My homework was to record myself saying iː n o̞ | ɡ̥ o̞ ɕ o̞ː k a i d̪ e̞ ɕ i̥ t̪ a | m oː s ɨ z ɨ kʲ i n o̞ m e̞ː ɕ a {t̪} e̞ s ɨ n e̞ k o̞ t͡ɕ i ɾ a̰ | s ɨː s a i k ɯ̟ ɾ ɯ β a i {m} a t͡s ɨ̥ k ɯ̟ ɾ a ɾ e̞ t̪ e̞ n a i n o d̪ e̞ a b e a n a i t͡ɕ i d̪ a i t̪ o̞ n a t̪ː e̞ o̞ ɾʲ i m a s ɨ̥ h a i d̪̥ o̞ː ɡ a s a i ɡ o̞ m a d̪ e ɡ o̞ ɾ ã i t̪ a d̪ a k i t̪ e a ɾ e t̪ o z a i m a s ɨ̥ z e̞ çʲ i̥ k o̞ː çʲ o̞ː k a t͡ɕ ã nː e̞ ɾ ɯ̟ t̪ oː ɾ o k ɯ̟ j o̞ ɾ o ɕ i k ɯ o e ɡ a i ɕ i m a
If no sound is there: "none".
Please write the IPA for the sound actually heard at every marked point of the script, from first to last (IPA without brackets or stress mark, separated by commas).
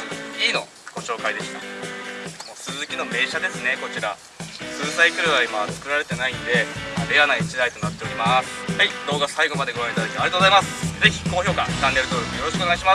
d̪, m